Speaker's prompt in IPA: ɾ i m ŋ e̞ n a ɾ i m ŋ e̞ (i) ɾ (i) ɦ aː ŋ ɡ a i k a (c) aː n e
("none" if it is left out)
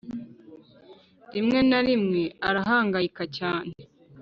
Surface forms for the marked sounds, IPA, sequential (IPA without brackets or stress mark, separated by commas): a, a, c